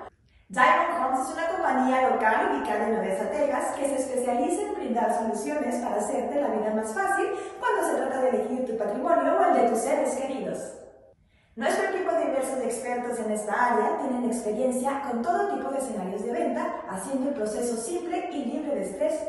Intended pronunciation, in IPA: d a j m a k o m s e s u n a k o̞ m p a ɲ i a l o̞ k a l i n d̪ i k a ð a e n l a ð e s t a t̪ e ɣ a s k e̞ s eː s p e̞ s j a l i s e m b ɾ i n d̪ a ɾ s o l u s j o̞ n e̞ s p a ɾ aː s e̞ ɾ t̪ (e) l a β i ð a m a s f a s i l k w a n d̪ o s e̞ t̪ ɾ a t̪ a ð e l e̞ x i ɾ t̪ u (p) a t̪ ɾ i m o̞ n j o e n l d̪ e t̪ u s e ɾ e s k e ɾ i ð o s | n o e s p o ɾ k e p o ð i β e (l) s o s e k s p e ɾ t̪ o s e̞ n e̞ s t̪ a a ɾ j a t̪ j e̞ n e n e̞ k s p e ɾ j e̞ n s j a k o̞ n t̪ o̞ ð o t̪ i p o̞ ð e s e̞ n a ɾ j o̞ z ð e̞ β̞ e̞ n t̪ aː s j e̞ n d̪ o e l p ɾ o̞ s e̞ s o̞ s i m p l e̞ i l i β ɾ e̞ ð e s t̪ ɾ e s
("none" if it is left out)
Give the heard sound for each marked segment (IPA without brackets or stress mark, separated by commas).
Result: e, p, ɾ